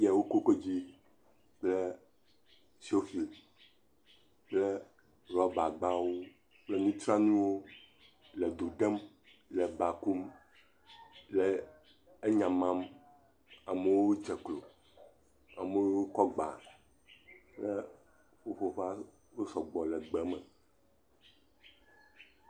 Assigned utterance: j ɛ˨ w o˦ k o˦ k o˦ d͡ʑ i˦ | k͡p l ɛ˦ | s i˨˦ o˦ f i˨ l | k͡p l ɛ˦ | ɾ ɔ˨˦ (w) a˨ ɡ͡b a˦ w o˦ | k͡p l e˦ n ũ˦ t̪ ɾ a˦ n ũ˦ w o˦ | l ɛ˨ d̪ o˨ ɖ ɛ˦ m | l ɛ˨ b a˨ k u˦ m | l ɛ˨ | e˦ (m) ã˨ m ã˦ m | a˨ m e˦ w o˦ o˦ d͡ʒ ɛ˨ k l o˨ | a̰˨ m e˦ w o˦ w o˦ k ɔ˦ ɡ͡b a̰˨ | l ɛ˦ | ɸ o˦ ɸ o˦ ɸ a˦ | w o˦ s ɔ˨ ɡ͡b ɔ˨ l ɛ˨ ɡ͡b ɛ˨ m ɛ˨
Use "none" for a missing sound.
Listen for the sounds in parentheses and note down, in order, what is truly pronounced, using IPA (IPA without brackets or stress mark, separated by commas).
b, ɲ